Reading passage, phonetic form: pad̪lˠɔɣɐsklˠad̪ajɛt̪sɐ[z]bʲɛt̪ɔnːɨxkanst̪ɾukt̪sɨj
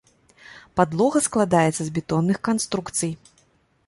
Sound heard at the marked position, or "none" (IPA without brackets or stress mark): z